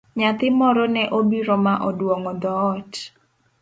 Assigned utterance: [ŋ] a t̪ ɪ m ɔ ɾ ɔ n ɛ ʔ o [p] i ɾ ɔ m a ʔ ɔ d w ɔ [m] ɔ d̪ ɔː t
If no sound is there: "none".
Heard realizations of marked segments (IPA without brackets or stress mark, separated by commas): ɲ, b, ŋ